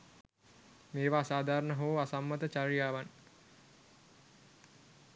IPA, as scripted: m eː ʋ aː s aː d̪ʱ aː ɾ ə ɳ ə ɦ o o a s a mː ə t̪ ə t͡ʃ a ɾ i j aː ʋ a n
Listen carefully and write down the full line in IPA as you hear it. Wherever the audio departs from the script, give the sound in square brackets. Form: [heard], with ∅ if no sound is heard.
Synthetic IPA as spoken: m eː ʋ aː s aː d̪ʱ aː ɾ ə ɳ ə ɦ o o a s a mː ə t̪ ə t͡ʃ a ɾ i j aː ʋ a n

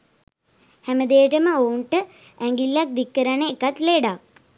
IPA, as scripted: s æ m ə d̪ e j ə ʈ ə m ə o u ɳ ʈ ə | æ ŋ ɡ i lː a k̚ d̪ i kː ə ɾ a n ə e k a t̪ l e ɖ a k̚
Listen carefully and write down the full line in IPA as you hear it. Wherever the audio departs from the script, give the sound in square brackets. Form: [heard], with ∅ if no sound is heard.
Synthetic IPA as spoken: [h] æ m ə d̪ e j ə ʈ ə m ə o u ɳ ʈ ə | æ ŋ ɡ i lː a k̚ d̪ i kː ə ɾ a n ə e k a t̪ l e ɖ a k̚

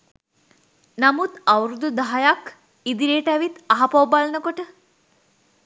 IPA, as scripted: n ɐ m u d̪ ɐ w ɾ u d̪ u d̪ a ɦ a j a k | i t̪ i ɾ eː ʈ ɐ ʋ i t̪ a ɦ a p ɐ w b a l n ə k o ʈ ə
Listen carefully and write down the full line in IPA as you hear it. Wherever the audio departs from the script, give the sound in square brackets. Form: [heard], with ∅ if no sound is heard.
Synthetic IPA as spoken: n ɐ m u [t̪] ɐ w ɾ u d̪ u d̪ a ɦ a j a k | i [d̪] i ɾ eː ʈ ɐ ʋ i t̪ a ɦ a p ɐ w b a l n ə k o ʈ ə

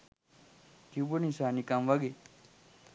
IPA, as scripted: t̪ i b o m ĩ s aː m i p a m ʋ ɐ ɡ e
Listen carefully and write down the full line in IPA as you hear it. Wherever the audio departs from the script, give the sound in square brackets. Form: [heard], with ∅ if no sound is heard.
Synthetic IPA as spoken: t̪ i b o [n] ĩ s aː [n] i [k] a m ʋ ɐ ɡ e

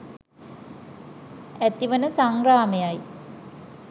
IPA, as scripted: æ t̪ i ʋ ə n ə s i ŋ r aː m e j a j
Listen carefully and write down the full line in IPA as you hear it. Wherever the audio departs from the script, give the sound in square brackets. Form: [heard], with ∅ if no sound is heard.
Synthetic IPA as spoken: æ t̪ i ʋ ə n ə s [a] ŋ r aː m e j a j

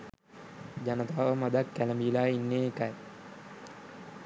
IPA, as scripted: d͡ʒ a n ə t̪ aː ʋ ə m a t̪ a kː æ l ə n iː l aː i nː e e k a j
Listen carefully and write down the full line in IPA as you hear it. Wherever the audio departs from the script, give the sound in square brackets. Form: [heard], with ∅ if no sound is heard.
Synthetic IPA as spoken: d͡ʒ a n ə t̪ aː ʋ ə m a [d̪] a kː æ l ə [m] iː l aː i nː e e k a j

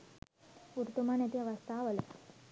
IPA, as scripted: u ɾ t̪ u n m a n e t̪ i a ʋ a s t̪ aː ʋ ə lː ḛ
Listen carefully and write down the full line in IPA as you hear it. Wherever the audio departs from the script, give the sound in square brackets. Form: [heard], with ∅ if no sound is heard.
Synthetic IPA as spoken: u ɾ t̪ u [∅] m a n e t̪ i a ʋ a s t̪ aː ʋ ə [l] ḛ

